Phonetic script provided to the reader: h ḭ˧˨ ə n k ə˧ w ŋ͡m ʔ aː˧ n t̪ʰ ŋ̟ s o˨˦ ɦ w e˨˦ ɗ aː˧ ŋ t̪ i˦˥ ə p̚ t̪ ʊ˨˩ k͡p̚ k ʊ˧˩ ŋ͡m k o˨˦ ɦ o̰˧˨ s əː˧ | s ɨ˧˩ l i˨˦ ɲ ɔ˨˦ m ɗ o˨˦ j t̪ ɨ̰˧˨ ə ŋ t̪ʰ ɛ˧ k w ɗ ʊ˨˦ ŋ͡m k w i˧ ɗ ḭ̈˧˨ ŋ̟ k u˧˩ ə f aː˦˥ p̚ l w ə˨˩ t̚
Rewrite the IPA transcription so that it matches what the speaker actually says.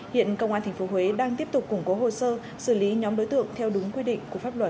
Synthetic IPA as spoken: h ḭ˧˨ ə n k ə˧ w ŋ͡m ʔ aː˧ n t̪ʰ ŋ̟ f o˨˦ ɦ w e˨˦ ɗ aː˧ ŋ t̪ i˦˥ ə p̚ t̪ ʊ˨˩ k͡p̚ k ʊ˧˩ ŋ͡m k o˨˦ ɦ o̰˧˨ s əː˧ | s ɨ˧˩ l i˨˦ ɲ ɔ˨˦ m ɗ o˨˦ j t̪ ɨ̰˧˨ ə ŋ t̪ʰ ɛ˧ w ɗ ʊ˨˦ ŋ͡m k w i˧ ɗ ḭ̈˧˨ ŋ̟ k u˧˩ ə f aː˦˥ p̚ l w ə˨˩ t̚